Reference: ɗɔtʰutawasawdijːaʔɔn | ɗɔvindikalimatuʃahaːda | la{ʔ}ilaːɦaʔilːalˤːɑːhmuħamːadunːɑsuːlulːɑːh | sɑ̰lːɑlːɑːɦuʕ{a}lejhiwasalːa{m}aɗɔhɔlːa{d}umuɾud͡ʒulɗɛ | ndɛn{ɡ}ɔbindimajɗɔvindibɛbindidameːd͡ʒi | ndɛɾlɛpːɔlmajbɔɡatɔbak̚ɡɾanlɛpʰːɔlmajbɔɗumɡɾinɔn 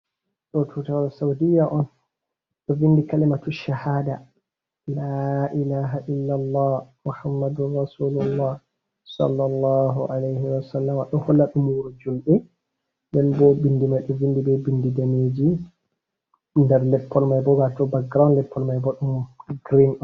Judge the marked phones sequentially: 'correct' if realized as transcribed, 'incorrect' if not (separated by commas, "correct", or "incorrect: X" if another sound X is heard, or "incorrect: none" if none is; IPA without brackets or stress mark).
correct, correct, correct, incorrect: ɗ, incorrect: b